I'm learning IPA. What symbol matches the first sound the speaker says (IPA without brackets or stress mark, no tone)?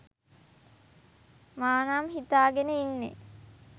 m